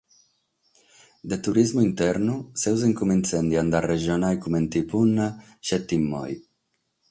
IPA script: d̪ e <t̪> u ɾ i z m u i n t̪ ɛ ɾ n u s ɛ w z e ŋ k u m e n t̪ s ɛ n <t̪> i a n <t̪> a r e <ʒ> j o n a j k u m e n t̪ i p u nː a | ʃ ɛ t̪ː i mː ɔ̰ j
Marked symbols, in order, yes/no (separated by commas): yes, no, no, yes